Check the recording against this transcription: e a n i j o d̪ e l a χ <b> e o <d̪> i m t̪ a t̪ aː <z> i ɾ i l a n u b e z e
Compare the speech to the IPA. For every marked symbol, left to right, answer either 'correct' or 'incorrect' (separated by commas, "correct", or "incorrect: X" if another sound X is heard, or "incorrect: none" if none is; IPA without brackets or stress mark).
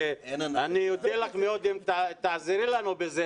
incorrect: m, correct, correct